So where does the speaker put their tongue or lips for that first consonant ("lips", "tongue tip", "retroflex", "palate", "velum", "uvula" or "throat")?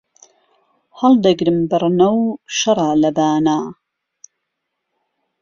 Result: throat